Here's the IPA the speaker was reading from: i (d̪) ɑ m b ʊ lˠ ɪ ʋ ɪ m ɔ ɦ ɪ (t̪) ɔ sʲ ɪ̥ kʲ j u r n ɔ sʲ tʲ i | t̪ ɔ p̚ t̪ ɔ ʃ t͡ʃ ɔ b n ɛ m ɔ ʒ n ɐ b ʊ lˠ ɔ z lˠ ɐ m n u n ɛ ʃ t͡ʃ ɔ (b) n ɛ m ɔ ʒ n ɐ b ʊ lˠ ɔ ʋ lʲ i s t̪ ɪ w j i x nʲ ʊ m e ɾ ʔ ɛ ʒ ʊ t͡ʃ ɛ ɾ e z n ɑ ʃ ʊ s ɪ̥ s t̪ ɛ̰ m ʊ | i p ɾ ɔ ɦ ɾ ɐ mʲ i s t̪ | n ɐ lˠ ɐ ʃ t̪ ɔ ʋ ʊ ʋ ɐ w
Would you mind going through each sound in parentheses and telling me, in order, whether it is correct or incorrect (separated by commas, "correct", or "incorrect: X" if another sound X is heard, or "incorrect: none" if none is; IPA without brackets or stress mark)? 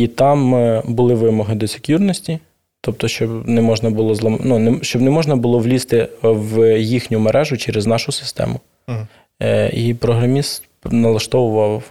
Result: incorrect: t̪, incorrect: d̪, correct